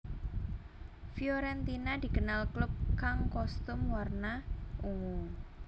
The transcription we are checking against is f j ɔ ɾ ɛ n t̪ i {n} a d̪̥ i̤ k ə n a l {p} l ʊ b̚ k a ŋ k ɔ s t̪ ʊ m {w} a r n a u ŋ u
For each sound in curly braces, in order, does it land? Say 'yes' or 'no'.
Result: yes, no, yes

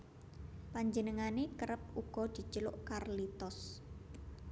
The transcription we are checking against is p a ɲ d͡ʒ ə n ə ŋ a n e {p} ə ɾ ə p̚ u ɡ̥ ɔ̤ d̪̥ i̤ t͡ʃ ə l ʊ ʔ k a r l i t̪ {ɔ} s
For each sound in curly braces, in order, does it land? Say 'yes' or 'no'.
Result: no, yes

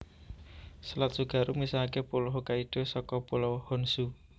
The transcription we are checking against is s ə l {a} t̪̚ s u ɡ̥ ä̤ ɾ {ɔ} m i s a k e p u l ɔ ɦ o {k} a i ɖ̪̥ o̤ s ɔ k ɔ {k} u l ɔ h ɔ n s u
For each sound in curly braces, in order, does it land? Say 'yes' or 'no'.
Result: yes, no, yes, no

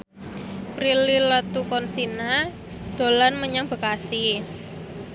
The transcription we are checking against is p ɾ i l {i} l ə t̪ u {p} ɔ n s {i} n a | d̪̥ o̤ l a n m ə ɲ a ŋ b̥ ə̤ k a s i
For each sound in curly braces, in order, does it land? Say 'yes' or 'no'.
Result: yes, no, yes

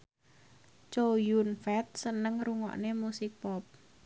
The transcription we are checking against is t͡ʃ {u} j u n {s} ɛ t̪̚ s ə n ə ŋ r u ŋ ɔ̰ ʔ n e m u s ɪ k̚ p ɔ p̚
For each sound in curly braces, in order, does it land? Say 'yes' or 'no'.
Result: no, no

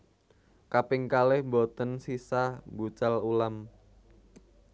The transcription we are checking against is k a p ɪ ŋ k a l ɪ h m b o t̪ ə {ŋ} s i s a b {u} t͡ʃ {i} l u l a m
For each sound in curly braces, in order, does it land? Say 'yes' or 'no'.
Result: no, yes, no

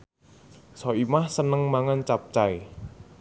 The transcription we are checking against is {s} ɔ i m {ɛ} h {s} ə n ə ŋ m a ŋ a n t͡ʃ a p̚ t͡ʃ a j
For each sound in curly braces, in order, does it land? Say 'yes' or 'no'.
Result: yes, no, yes

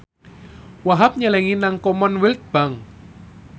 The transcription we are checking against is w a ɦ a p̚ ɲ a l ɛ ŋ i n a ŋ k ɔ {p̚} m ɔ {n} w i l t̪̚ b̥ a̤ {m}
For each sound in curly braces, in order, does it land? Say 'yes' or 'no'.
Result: no, yes, no

